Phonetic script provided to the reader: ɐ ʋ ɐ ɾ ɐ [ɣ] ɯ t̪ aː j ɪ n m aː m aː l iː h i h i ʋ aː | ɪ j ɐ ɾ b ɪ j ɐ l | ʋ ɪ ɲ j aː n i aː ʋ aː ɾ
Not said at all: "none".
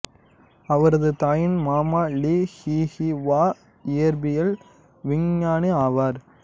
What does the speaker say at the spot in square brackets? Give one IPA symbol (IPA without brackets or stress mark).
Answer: ð